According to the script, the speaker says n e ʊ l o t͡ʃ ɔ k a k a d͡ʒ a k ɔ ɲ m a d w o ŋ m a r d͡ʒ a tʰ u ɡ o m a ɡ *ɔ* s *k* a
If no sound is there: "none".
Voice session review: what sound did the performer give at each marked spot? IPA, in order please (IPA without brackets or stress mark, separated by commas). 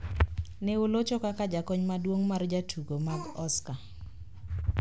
ɔ, k